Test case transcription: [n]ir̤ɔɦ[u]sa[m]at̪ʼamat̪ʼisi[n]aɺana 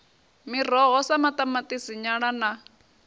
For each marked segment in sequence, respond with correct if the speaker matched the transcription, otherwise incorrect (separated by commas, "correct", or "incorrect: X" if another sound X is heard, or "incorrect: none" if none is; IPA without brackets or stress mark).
incorrect: m, incorrect: ɔ, correct, incorrect: ɲ